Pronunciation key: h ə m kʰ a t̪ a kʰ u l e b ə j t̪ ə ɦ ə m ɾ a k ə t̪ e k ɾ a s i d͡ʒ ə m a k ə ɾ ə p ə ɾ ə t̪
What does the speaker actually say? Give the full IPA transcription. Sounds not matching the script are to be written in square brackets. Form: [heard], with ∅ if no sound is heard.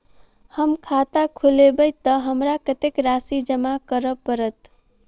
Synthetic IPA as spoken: h ə m kʰ a t̪ a kʰ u l e b ə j t̪ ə ɦ ə m ɾ a k ə t̪ e k ɾ a s i d͡ʒ ə m a k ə ɾ ə p ə ɾ ə t̪